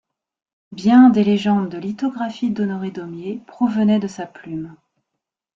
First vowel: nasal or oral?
nasal